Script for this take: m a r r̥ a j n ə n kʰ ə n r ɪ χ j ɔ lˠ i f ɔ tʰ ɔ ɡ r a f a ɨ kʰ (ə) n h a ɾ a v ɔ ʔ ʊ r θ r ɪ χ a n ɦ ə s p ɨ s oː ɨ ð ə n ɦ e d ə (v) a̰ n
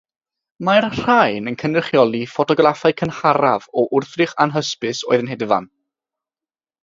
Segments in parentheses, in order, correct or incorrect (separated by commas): correct, correct